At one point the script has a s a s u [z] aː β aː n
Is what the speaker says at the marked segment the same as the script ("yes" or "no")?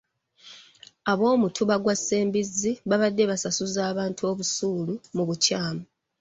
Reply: yes